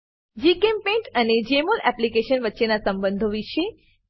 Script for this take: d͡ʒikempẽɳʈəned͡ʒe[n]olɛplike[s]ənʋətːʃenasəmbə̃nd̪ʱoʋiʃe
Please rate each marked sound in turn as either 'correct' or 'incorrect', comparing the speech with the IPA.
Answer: incorrect, incorrect

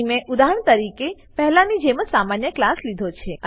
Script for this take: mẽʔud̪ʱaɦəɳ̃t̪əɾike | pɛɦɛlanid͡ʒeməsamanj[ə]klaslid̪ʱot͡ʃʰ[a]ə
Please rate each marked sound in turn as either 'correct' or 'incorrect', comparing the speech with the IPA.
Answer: correct, incorrect

